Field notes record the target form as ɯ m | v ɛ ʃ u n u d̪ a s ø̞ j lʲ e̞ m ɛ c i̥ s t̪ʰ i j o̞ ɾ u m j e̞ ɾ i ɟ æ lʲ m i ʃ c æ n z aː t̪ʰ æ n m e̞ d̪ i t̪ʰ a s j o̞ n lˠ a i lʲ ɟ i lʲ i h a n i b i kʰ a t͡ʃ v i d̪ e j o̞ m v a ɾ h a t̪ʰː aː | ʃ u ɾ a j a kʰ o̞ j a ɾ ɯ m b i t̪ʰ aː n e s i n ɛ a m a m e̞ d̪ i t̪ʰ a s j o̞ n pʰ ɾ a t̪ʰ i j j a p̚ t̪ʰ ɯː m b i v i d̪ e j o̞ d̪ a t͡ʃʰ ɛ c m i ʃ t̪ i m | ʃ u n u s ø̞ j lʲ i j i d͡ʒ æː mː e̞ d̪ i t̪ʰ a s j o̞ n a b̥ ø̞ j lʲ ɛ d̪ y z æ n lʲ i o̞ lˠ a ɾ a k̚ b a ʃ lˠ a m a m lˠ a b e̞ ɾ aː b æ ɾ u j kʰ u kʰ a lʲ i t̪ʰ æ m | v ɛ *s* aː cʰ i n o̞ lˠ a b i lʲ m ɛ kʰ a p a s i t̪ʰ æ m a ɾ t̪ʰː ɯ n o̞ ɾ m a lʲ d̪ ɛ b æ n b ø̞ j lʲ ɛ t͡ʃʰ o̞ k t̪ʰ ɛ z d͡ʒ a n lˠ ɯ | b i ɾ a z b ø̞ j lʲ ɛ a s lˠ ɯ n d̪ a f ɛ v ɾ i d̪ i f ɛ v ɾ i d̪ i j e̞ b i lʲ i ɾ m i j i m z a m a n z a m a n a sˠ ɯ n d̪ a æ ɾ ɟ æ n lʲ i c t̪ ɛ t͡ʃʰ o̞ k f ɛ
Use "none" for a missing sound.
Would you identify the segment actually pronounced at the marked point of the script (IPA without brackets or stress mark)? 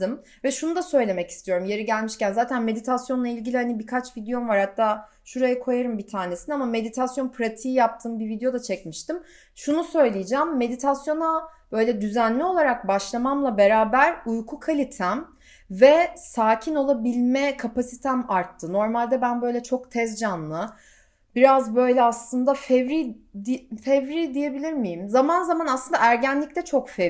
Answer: s